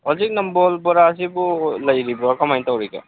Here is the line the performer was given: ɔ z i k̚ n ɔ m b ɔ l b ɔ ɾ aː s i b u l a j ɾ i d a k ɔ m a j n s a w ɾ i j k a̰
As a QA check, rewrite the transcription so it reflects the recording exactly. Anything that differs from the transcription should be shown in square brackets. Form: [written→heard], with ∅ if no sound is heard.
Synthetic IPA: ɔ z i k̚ n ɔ m b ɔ l b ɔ ɾ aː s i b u l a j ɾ i [d→b] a k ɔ m a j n [s→t] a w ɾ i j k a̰